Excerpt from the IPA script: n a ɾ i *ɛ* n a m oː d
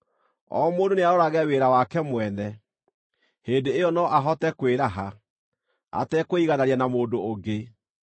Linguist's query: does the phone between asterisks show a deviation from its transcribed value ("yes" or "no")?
yes